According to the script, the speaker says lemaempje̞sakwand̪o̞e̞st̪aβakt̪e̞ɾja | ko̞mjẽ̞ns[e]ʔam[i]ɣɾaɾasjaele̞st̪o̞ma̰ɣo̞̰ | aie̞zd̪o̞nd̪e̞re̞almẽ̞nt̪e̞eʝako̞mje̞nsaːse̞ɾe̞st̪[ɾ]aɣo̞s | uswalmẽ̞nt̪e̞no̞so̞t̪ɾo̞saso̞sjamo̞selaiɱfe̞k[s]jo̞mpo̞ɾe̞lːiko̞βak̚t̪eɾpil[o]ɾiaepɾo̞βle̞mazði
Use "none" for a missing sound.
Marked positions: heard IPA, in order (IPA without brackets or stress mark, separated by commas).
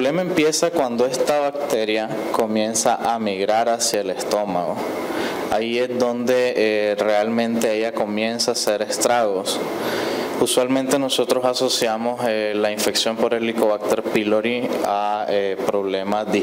a, i, ɾ, s, o